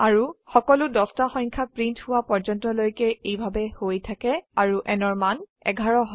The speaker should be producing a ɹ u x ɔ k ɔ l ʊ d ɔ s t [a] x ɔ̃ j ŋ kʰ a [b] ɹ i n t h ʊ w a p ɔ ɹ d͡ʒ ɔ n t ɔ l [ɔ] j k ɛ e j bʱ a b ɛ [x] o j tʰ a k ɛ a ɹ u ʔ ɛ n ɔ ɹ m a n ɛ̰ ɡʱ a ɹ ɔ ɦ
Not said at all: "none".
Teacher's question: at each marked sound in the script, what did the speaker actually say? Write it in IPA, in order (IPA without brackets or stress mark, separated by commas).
a, p, o, h